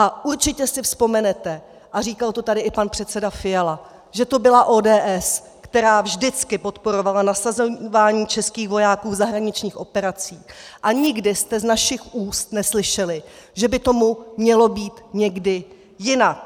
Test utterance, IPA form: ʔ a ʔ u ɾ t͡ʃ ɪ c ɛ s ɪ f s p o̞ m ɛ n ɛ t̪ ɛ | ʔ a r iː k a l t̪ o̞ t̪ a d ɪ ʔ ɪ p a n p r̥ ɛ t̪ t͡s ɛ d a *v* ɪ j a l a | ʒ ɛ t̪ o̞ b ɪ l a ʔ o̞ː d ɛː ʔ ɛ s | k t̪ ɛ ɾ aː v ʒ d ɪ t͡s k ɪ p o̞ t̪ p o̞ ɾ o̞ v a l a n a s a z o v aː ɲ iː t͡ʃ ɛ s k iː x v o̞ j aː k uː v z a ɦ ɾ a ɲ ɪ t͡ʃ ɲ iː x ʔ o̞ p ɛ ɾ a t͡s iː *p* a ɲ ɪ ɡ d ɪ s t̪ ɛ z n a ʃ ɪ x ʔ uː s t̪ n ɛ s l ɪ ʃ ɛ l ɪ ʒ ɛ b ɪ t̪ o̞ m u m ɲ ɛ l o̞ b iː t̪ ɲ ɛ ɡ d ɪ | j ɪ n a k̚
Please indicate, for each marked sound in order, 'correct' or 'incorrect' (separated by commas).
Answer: incorrect, incorrect